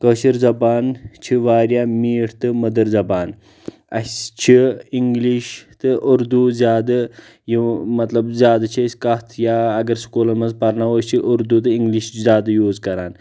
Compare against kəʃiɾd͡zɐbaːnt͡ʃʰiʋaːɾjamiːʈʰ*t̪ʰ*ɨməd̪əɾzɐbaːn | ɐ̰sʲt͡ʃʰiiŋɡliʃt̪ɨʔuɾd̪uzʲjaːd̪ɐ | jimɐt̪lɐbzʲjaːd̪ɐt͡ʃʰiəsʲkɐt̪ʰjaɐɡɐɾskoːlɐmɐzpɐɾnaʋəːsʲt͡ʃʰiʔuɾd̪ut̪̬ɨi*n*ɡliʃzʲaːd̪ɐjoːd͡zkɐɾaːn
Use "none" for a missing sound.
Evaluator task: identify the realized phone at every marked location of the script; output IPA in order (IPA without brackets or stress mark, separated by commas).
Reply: t̪, ŋ